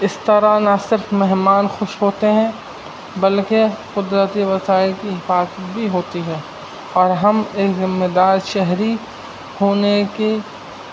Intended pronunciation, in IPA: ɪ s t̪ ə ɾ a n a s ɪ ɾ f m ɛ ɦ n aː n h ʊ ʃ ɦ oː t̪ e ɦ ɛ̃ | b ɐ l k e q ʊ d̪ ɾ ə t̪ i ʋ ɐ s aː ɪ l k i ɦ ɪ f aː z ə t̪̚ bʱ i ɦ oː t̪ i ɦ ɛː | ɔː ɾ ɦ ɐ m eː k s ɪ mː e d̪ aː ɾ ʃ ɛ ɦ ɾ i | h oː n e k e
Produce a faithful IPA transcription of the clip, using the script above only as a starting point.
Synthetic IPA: ɪ s t̪ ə ɾ a n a s ɪ ɾ f m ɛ ɦ m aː n x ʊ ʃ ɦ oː t̪ e ɦ ɛ̃ | b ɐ l k e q ʊ d̪ ɾ ə t̪ i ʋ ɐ s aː ɪ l k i ɦ ɪ f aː z ə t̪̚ bʱ i ɦ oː t̪ i ɦ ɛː | ɔː ɾ ɦ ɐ m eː k z ɪ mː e d̪ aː ɾ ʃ ɛ ɦ ɾ i | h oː n e k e